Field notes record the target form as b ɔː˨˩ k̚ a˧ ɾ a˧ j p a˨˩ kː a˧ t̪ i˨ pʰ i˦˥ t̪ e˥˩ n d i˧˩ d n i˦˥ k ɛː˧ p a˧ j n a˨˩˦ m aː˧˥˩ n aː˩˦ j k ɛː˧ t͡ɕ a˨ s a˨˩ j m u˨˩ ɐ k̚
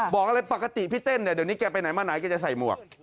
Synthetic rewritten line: b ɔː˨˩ k̚ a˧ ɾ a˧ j p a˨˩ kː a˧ t̪ i˨ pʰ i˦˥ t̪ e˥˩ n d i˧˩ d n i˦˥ k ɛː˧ p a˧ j n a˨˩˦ m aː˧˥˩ n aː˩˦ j k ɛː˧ t͡ɕ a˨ s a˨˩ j m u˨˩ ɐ k̚

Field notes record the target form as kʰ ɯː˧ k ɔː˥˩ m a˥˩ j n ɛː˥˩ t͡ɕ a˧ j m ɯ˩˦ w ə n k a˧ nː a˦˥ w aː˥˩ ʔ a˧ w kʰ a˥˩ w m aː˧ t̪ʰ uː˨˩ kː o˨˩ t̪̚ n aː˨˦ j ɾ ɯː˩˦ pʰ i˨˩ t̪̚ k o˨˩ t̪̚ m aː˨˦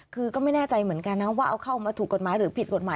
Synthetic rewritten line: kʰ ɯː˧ k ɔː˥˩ m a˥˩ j n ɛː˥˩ t͡ɕ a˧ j m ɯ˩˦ ə n k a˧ nː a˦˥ w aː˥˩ ʔ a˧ w kʰ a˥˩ w m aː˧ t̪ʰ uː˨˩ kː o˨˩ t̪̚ m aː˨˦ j ɾ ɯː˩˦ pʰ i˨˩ t̪̚ k o˨˩ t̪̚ m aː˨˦

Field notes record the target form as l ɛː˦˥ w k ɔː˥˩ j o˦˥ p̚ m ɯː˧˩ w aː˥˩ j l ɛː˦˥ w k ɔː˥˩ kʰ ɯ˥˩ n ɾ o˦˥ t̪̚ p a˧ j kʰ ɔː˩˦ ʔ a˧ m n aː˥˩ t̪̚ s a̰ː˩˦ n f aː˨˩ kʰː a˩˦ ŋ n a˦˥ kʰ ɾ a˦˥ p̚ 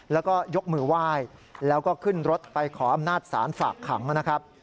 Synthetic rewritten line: l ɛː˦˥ w k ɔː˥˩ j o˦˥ k̚ m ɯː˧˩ w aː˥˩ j l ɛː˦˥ w k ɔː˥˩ kʰ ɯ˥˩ n ɾ o˦˥ t̪̚ p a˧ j kʰ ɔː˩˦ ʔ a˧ m n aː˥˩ t̪̚ s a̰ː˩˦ n f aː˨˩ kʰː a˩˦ ŋ n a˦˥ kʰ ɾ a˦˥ p̚

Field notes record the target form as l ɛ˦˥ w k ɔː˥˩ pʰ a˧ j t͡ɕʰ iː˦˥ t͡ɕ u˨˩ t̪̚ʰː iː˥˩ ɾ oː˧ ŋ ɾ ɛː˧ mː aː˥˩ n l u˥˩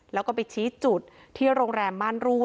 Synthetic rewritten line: l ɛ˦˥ w k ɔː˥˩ p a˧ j t͡ɕʰ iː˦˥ t͡ɕ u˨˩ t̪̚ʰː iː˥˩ ɾ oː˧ ŋ ɾ ɛː˧ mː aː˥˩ n ɾ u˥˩

